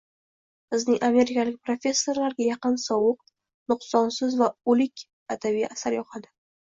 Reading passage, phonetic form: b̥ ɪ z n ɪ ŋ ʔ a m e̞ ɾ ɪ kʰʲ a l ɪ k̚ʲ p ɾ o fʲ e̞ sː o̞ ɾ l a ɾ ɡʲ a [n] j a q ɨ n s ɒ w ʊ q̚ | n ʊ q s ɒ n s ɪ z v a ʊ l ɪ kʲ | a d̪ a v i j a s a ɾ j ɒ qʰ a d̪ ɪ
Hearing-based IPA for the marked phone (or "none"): none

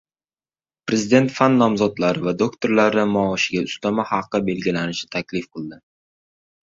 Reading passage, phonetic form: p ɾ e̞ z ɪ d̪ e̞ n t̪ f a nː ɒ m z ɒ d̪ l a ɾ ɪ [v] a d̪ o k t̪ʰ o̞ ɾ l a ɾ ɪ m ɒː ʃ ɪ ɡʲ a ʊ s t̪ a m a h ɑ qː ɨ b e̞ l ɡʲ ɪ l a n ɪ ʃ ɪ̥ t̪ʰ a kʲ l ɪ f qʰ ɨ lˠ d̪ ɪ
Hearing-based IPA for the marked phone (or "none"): v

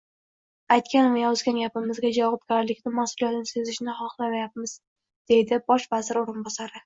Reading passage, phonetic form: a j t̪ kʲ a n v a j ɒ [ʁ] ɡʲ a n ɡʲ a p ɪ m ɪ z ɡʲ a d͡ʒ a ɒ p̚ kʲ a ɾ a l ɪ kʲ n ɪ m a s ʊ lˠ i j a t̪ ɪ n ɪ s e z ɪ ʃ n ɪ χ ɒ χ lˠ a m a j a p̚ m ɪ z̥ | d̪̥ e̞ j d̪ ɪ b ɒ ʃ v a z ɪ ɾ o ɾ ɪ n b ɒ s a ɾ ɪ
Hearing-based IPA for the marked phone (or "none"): z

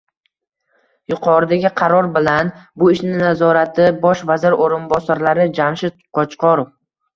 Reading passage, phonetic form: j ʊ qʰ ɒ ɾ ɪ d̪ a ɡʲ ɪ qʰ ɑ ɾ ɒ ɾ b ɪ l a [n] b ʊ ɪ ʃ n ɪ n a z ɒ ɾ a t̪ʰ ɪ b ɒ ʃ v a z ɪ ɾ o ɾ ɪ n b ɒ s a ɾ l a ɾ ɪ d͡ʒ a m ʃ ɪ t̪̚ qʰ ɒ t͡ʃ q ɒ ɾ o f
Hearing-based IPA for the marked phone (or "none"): n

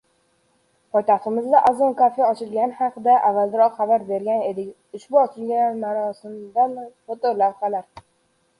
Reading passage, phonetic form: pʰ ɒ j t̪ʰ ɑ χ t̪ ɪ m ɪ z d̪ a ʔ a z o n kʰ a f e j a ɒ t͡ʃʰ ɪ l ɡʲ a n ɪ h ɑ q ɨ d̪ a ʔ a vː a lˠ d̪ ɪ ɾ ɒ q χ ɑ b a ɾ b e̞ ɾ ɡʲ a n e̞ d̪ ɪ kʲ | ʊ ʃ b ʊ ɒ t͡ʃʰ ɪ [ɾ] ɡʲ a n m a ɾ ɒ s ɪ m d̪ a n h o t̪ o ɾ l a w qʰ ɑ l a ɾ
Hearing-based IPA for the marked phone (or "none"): l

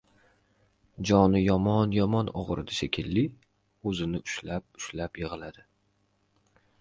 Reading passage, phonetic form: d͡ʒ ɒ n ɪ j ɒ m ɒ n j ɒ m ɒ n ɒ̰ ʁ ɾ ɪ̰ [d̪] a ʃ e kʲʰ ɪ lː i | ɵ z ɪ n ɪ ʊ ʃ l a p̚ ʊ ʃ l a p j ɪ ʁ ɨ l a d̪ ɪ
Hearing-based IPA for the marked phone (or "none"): d̪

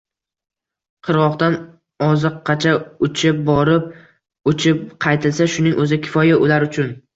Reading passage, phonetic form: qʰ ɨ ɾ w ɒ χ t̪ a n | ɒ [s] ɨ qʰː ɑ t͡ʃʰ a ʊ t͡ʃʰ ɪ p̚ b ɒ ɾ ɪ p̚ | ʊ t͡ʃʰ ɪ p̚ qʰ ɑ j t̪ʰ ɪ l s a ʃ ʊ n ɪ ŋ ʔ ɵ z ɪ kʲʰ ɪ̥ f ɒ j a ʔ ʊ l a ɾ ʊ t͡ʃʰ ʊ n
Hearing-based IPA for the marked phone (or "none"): z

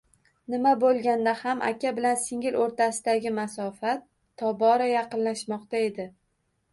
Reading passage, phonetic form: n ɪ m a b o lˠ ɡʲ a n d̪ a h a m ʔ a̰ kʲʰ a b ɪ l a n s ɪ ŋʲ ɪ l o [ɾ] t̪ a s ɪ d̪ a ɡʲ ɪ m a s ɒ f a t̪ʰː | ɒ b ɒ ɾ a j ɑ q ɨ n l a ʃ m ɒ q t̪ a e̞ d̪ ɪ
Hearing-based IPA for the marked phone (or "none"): ɾ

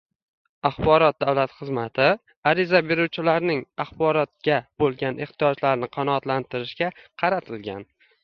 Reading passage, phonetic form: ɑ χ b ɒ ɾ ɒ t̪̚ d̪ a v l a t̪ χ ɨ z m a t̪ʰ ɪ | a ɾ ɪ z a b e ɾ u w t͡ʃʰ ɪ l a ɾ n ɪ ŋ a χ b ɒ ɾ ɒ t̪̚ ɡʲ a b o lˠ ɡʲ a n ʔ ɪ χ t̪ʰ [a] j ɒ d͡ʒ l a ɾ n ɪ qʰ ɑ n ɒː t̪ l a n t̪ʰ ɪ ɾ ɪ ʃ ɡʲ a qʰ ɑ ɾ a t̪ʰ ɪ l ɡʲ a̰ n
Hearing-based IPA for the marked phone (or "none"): i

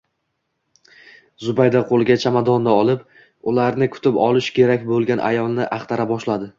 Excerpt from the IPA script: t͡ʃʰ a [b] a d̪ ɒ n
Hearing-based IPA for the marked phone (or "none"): m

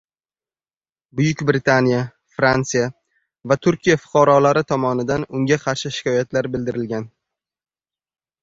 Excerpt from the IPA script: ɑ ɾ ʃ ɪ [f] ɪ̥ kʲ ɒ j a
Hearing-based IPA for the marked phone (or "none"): ʃ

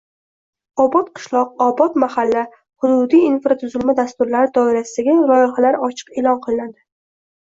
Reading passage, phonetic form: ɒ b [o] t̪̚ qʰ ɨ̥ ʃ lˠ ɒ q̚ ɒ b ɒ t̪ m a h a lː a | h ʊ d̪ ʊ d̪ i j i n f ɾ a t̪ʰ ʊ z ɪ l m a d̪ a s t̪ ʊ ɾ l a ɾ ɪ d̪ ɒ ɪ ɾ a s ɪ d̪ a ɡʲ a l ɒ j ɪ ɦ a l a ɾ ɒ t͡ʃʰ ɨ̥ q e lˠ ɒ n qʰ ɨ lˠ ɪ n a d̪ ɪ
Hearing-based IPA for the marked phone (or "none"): ɒ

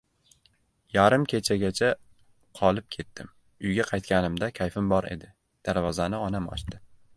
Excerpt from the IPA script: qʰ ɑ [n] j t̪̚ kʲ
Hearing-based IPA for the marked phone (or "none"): none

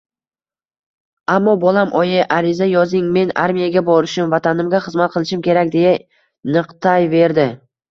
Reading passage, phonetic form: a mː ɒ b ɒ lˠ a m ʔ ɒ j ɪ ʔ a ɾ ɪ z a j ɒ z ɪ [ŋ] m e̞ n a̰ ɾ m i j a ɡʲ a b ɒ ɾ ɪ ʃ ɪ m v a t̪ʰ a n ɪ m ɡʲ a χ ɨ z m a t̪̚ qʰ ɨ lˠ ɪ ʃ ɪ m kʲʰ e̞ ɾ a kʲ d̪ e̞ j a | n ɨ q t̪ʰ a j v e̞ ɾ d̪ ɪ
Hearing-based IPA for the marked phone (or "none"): ŋ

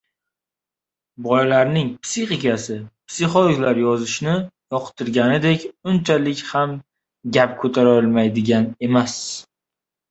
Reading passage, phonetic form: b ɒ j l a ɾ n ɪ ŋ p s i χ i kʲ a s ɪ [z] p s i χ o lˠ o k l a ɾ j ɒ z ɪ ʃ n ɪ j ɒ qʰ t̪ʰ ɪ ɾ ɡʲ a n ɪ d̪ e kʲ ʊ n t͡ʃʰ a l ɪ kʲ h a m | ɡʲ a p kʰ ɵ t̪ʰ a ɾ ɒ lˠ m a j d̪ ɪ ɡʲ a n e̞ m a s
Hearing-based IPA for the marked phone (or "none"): none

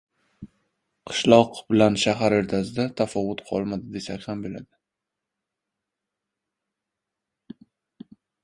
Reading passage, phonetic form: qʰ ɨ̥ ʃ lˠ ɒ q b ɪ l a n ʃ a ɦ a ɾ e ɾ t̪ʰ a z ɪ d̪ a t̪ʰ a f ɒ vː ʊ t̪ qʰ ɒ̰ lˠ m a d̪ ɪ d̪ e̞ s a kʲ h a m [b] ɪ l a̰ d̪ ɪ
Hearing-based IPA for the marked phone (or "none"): b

